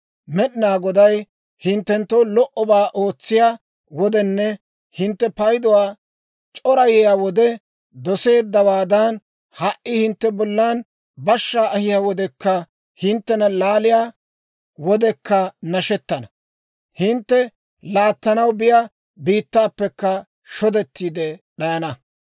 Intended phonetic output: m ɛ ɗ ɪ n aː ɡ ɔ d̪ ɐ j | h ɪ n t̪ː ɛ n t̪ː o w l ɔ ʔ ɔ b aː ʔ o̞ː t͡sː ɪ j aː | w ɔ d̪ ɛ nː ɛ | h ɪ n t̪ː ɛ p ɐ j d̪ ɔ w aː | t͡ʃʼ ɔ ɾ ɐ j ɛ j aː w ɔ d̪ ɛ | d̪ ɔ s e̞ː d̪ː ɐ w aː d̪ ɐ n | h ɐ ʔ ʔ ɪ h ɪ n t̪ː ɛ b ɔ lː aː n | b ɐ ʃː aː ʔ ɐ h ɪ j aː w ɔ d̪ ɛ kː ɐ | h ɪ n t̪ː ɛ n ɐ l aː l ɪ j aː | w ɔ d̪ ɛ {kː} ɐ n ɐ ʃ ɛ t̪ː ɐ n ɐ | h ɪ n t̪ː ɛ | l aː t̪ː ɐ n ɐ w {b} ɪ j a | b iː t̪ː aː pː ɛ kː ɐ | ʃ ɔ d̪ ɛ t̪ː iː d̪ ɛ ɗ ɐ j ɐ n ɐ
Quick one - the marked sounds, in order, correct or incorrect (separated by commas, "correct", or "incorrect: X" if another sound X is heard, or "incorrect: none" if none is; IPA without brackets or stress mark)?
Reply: correct, correct